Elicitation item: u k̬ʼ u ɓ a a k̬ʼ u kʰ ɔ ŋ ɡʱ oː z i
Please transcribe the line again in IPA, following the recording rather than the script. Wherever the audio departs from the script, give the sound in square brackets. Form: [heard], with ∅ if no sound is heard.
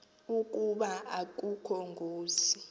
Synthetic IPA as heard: u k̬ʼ u ɓ a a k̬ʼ u kʰ ɔ ŋ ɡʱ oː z i